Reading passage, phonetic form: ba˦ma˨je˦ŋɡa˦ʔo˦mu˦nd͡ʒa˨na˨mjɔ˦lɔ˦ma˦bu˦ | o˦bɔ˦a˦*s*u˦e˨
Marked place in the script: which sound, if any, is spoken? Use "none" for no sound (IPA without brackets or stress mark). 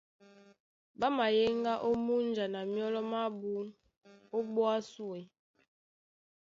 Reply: s